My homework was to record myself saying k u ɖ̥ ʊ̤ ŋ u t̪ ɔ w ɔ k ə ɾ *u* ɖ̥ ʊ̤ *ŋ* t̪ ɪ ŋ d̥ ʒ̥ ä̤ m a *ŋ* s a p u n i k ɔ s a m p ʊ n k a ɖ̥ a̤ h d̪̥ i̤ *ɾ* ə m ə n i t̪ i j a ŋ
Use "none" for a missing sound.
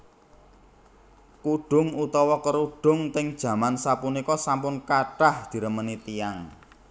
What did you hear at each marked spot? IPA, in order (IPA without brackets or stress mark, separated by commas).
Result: u, ŋ, n, ɾ